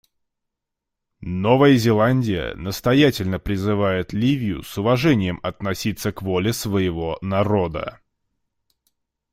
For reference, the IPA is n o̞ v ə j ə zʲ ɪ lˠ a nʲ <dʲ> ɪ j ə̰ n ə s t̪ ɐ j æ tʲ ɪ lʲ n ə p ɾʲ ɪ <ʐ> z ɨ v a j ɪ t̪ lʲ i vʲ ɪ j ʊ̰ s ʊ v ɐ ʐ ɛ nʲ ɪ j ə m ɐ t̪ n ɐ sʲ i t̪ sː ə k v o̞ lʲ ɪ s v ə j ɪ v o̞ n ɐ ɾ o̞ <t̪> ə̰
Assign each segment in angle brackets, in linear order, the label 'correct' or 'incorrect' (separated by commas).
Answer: correct, incorrect, incorrect